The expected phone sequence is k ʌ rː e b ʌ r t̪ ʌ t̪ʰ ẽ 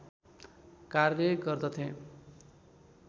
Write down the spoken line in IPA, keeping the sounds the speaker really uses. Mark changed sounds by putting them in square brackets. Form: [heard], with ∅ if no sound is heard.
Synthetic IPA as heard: k [a] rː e [ɡ] ʌ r [d̪] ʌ t̪ʰ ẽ